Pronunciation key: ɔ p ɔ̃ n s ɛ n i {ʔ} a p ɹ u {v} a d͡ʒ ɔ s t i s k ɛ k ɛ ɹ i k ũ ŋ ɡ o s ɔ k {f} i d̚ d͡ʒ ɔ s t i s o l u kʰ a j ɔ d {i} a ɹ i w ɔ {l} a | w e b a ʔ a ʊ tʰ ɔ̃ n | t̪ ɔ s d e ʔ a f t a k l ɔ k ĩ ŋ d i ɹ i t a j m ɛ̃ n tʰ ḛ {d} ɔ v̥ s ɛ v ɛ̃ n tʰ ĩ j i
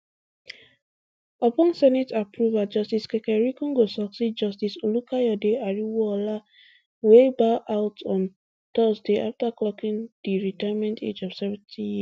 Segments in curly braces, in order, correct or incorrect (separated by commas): incorrect, correct, incorrect, incorrect, correct, incorrect